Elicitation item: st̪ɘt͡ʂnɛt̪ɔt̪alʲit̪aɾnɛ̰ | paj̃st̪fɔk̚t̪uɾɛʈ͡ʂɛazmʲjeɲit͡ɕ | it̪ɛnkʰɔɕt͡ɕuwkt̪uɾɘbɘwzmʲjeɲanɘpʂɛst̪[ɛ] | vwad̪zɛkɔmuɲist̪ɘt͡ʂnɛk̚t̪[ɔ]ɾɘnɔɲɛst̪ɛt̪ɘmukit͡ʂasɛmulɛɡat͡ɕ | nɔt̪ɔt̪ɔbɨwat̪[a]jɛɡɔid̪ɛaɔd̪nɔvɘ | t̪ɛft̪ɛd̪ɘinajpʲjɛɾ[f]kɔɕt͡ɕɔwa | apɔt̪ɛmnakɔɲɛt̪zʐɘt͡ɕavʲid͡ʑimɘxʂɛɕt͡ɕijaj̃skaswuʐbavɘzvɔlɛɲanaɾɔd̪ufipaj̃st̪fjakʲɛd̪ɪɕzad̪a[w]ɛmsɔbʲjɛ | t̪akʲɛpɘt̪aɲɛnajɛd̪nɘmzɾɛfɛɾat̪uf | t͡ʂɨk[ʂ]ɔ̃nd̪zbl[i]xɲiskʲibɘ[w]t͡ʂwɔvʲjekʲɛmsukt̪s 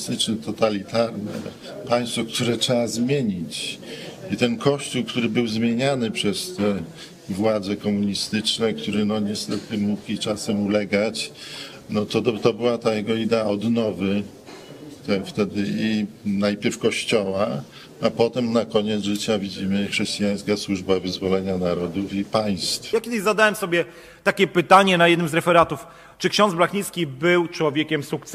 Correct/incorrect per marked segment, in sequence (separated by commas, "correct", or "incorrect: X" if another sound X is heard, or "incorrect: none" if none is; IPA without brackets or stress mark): correct, incorrect: u, correct, correct, correct, incorrect: ɕ, incorrect: a, correct